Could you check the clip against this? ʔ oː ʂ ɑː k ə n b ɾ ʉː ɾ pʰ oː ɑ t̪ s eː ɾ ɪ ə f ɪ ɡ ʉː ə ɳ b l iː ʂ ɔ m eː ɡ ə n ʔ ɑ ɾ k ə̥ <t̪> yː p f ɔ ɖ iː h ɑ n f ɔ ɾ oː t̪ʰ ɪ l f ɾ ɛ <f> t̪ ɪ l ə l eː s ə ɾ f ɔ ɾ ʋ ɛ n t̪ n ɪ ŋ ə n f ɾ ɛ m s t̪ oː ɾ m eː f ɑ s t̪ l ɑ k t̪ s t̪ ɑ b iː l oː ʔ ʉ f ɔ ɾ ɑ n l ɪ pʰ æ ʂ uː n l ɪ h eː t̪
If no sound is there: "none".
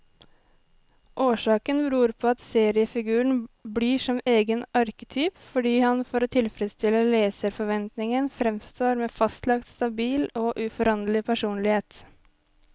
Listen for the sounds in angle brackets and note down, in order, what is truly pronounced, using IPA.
t̪ʰ, s

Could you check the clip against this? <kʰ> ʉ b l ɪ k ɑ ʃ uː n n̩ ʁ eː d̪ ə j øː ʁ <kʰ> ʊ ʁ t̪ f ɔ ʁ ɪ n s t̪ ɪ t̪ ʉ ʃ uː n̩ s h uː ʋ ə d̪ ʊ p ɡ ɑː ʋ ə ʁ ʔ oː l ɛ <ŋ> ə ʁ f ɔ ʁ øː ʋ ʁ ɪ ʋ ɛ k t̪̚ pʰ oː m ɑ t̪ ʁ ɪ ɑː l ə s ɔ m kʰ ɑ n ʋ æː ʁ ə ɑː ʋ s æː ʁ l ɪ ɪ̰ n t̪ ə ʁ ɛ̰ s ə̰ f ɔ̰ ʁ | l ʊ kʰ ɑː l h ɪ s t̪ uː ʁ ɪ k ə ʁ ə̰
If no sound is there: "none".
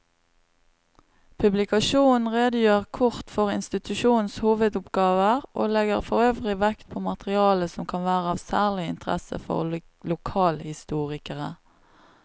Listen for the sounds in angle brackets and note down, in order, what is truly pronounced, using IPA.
pʰ, kʰ, ɡ

